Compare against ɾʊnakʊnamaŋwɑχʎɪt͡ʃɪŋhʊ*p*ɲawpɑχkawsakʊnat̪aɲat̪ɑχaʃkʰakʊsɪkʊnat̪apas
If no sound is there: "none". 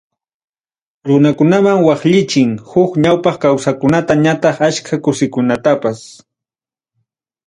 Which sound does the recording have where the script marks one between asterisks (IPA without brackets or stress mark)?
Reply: k